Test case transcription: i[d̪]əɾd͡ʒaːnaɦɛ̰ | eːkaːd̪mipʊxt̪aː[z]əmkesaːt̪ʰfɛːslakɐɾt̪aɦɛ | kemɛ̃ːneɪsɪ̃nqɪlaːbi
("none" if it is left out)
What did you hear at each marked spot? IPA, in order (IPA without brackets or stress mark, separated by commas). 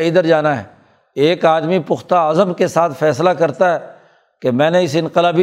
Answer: d̪, z